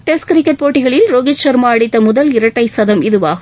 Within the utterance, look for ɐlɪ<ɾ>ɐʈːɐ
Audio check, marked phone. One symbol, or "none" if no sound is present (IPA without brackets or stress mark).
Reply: ɾ